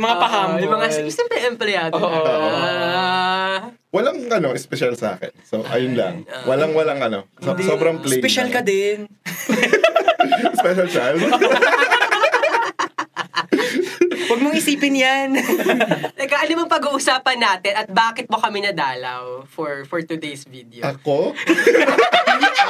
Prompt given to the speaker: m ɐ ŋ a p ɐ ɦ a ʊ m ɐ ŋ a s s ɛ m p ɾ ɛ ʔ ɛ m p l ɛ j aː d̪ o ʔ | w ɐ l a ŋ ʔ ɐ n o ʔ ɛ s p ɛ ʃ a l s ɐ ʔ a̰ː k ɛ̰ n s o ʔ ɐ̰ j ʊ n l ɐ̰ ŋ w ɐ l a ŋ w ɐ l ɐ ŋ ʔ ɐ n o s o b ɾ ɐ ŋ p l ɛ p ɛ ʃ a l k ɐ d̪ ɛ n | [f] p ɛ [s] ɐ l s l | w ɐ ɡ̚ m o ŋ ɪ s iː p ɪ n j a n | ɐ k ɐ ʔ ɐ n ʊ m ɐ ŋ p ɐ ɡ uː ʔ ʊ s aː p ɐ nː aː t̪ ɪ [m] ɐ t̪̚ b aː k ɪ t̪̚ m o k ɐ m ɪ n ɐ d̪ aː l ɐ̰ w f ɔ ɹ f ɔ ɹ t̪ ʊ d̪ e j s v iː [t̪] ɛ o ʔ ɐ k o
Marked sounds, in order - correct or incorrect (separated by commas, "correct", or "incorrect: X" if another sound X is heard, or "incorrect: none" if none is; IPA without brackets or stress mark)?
incorrect: s, incorrect: ʃ, incorrect: n, incorrect: d̪